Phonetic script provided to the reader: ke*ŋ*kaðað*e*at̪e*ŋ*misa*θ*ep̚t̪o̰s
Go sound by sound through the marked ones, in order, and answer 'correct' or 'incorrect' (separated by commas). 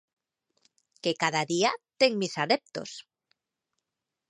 incorrect, incorrect, correct, incorrect